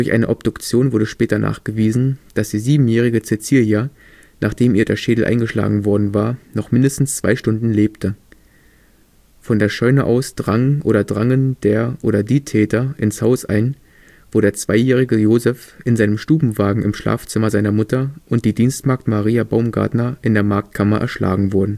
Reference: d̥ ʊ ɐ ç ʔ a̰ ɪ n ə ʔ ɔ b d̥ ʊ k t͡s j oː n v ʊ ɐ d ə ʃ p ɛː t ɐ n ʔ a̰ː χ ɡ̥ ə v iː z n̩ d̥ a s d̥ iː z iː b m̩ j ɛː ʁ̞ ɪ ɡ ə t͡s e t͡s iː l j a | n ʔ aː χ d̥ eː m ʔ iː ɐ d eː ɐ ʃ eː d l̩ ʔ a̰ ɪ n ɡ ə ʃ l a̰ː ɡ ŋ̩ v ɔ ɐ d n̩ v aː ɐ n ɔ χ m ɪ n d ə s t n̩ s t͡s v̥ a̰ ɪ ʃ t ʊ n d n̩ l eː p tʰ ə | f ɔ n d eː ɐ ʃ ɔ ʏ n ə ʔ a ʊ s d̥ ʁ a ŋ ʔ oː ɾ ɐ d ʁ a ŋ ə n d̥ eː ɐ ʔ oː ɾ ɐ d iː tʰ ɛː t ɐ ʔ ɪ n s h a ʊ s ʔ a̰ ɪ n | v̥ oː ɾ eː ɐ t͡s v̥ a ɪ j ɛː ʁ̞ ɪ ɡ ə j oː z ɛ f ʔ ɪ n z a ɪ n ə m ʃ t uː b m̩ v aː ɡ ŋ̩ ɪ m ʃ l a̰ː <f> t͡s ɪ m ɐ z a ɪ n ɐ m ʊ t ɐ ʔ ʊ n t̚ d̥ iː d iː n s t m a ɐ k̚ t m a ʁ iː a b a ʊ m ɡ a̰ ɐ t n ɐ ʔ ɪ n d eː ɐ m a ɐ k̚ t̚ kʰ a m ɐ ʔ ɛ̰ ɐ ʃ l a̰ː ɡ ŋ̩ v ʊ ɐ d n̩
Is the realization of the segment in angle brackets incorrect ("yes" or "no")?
no